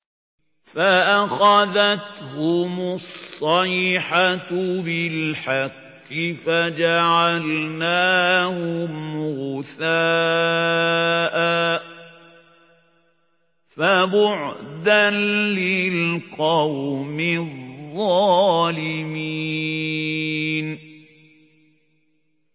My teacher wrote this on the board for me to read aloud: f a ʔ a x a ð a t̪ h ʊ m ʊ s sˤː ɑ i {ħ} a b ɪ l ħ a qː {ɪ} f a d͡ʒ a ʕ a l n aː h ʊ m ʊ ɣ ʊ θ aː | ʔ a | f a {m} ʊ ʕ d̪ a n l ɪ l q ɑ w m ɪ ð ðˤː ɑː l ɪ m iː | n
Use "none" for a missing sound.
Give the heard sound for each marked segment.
ħ, ɪ, b

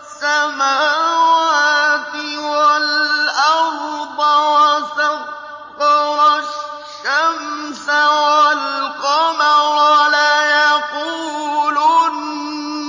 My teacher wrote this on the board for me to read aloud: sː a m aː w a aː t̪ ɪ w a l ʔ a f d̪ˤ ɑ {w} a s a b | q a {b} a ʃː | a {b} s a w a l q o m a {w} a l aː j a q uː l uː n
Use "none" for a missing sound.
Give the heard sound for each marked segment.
w, w, m, w

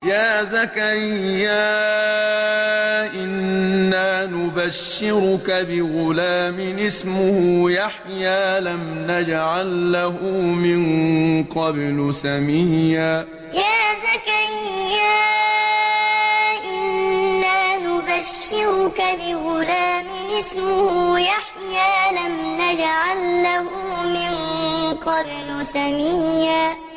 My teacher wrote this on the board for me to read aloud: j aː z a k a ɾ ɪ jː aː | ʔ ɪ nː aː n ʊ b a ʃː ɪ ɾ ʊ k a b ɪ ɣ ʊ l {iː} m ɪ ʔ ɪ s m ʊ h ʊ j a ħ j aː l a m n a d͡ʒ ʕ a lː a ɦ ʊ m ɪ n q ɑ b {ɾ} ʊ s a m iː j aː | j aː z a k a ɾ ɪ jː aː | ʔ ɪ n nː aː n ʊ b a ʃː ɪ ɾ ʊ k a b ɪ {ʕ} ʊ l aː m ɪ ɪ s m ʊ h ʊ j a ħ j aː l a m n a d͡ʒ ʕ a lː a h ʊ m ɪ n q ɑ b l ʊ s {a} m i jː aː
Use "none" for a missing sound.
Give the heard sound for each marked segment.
aː, l, ɣ, a

